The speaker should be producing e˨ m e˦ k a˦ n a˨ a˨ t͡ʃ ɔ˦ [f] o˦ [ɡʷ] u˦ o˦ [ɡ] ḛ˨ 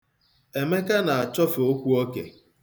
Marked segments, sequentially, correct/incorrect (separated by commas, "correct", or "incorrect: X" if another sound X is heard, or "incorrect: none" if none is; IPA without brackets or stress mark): correct, incorrect: kʷ, incorrect: k